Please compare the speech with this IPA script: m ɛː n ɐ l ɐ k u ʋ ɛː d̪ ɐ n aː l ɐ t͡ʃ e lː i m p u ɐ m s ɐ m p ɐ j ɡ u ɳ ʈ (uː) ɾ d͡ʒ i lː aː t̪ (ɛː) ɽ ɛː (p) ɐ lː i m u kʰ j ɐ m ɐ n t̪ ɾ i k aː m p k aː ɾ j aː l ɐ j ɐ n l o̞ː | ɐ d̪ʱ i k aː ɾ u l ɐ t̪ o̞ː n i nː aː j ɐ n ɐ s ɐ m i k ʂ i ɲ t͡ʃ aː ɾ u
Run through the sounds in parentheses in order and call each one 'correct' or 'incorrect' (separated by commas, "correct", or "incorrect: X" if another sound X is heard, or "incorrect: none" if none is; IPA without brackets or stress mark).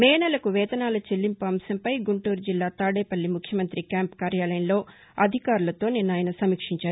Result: correct, incorrect: aː, correct